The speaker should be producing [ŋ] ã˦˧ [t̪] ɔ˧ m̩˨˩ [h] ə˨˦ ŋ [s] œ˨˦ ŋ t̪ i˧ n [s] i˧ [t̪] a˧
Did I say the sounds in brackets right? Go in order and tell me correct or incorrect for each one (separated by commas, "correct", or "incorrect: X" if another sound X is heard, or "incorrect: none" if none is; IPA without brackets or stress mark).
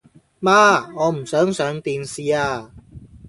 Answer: incorrect: m, incorrect: none, incorrect: s, correct, correct, incorrect: none